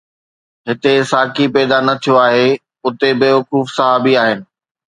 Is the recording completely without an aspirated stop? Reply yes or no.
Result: no